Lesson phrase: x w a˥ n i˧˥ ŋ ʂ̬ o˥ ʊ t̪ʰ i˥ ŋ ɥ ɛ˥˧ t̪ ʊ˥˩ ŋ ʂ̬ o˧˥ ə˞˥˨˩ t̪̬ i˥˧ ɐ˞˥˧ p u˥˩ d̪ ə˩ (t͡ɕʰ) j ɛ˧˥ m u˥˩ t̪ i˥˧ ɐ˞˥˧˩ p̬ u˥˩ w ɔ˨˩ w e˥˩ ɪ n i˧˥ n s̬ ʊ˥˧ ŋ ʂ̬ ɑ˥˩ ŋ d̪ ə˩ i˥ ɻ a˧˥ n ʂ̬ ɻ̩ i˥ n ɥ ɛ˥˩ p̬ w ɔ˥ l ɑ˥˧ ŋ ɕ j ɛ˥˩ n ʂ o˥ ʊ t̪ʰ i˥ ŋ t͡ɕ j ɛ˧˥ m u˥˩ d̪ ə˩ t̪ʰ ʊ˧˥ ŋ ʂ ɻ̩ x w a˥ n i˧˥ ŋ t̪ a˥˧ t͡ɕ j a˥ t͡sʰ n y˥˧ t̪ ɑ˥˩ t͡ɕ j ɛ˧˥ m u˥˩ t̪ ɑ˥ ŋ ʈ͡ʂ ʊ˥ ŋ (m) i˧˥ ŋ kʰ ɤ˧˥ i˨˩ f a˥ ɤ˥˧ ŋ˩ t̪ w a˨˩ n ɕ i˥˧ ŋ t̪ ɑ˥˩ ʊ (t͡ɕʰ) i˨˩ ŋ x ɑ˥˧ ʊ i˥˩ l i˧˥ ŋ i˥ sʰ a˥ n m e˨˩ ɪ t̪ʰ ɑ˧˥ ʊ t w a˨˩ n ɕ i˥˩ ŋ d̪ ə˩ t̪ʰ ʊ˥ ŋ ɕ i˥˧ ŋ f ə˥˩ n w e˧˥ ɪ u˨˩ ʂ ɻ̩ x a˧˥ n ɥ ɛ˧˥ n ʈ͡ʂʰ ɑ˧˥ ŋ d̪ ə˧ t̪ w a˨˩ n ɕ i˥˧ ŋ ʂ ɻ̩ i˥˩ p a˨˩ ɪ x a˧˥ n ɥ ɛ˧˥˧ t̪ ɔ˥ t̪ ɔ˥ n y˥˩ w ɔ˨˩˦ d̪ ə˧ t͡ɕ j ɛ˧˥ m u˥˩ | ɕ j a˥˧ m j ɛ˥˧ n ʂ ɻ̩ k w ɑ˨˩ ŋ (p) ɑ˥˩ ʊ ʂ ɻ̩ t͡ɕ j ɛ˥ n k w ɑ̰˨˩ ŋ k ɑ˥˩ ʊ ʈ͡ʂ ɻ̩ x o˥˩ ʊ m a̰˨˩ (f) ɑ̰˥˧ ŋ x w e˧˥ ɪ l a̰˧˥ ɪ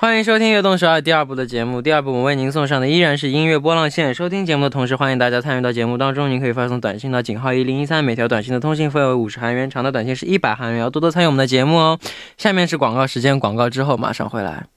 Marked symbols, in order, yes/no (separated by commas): no, no, no, no, no